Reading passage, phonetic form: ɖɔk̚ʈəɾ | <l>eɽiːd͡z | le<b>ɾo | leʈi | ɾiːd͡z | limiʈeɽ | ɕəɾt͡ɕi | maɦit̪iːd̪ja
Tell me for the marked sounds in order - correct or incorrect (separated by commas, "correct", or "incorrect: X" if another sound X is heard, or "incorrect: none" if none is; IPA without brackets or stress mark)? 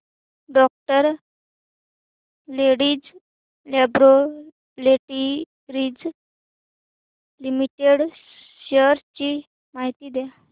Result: correct, correct